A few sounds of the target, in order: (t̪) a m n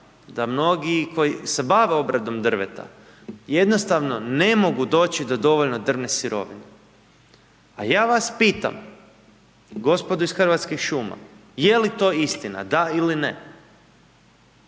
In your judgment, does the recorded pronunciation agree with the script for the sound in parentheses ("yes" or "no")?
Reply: no